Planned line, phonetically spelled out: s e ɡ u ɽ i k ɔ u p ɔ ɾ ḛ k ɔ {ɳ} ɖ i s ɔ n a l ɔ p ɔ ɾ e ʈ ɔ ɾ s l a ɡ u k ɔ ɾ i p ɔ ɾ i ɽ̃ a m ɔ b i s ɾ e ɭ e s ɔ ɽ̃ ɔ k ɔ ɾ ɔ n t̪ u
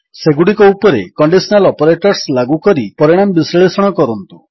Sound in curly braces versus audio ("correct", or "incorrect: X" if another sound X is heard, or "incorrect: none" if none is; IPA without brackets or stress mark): correct